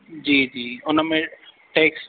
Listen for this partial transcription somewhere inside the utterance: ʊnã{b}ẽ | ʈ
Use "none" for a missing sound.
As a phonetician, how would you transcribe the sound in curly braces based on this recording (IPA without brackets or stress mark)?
m